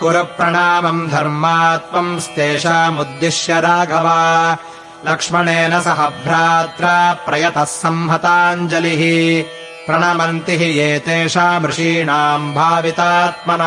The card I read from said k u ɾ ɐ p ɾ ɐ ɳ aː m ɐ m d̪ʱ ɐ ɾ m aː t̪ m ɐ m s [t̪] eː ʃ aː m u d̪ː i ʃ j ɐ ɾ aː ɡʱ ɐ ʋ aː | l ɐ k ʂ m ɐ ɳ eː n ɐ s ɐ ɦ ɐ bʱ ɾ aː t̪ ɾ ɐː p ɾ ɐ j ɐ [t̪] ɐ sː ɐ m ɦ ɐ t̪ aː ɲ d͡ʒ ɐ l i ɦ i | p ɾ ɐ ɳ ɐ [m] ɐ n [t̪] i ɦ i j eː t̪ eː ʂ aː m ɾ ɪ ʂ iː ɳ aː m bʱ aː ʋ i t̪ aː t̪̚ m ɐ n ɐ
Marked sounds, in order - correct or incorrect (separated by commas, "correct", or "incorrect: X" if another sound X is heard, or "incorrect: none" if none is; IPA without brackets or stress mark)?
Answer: correct, correct, correct, correct